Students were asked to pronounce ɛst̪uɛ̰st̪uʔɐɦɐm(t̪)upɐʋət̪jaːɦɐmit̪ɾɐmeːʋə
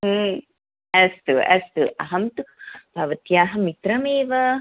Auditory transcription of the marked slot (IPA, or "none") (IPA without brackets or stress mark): t̪